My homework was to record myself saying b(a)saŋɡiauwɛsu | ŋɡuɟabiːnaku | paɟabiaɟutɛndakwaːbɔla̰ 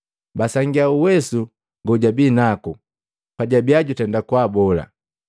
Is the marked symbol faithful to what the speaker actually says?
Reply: yes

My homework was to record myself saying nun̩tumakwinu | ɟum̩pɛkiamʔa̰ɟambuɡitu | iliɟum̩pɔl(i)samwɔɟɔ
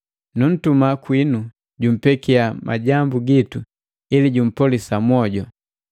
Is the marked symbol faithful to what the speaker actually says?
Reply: yes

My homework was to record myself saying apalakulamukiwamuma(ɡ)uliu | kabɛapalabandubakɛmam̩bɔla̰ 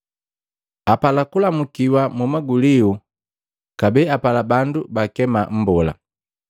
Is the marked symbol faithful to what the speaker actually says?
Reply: yes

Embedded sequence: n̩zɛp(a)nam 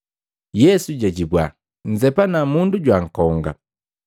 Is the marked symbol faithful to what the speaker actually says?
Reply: yes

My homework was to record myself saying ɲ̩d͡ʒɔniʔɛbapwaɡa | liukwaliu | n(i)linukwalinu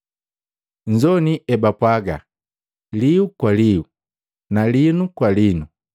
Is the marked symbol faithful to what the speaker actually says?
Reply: no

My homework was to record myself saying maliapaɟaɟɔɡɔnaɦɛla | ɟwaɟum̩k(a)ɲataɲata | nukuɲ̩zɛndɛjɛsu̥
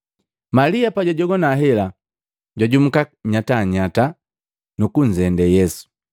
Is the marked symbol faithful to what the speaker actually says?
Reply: yes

